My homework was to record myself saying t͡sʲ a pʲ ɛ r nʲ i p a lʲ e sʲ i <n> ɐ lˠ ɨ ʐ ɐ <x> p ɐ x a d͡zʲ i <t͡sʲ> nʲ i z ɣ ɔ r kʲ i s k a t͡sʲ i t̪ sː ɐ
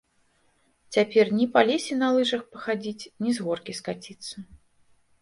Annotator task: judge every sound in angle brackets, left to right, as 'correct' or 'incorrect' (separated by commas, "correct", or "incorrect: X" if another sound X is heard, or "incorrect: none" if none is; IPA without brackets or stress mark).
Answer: correct, correct, correct